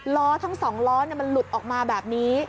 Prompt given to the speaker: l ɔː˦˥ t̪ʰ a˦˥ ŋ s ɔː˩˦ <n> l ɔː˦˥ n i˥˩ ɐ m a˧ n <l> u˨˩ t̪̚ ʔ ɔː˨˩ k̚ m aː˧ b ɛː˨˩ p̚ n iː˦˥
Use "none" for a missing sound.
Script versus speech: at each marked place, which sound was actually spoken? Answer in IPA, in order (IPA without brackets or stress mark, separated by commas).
ŋ, l